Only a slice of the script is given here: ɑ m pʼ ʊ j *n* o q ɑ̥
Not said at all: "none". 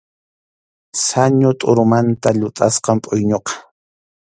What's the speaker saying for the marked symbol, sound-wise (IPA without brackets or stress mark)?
ɲ